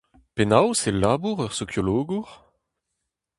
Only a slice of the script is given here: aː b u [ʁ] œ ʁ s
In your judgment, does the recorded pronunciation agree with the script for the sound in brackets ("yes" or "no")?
yes